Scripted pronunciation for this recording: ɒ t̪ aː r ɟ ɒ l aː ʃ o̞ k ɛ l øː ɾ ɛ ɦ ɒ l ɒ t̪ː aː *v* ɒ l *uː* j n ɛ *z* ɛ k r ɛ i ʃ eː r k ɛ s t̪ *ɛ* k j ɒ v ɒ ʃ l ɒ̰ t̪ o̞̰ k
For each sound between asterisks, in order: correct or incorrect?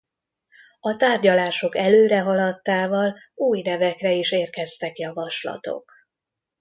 correct, correct, incorrect: v, correct

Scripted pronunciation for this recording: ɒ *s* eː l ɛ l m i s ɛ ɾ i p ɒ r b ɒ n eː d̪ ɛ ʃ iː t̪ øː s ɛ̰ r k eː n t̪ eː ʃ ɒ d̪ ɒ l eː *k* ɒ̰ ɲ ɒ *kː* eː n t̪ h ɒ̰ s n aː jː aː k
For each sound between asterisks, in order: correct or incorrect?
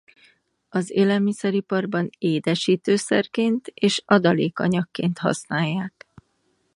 incorrect: z, correct, correct

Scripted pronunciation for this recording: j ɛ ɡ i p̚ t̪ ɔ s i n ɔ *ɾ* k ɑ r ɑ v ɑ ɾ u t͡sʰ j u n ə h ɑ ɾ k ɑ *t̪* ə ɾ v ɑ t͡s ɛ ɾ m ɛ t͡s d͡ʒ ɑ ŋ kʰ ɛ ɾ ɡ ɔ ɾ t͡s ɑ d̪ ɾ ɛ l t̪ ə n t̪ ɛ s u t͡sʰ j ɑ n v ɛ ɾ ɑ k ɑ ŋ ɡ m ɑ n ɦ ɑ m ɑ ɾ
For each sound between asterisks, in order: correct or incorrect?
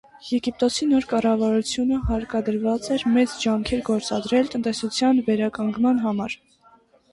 correct, incorrect: d̪

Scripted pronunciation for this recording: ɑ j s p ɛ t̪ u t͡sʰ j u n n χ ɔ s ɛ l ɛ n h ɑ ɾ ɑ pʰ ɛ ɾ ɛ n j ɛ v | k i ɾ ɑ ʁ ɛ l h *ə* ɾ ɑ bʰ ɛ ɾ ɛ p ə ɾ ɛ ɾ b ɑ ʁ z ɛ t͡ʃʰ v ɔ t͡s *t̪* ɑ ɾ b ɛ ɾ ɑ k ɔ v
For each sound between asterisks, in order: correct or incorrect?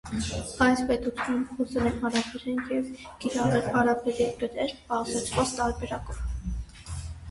incorrect: ɑ, correct

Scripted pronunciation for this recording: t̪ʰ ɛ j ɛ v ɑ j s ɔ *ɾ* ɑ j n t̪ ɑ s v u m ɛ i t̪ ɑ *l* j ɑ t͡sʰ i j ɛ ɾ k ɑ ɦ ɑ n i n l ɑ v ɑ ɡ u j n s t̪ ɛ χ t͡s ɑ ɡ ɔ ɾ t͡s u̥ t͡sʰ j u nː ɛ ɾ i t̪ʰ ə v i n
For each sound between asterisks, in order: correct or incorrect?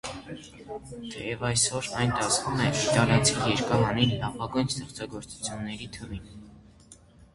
correct, correct

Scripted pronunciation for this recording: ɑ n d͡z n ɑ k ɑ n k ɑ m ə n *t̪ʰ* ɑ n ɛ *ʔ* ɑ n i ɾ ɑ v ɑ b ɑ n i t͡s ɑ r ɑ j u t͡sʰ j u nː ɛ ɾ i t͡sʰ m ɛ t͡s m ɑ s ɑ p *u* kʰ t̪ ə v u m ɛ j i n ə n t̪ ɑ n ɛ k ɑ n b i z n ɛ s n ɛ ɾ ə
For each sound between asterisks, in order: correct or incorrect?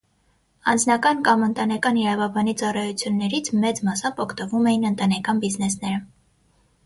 incorrect: t̪, incorrect: k, incorrect: ɔ

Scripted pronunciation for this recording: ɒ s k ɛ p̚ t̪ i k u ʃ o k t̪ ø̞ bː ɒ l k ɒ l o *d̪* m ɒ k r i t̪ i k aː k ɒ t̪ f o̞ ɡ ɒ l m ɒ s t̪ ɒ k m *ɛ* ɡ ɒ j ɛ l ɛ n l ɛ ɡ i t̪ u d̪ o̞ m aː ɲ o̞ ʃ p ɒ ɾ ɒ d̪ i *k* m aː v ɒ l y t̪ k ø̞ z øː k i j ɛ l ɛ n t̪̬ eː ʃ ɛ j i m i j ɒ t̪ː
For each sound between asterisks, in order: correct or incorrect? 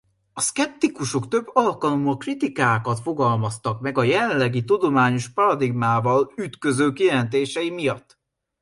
incorrect: none, correct, incorrect: ɡ

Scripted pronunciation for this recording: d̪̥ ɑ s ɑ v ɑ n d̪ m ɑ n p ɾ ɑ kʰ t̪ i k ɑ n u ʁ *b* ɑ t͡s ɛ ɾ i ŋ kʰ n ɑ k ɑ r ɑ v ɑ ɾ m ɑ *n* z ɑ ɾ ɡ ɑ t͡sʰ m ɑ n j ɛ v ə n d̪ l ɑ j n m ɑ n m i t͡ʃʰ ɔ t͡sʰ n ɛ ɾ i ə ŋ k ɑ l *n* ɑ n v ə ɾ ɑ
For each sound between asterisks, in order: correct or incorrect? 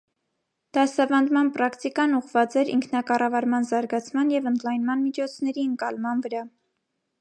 incorrect: v, correct, incorrect: m

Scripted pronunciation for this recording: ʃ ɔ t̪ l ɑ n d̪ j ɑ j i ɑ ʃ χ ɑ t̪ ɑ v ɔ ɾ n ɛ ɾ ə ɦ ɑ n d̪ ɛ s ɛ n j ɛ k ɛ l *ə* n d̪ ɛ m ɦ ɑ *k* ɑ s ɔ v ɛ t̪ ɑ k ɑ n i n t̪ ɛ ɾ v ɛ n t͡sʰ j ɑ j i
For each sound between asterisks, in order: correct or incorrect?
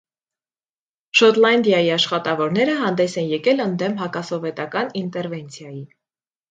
correct, correct

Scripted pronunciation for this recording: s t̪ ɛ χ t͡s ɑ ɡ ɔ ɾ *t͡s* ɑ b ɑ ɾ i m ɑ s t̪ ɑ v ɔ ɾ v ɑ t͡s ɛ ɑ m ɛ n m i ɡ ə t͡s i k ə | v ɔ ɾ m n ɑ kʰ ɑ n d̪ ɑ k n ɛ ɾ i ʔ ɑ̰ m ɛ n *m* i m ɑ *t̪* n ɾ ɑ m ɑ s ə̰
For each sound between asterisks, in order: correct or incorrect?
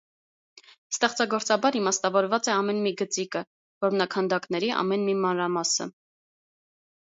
correct, correct, incorrect: none

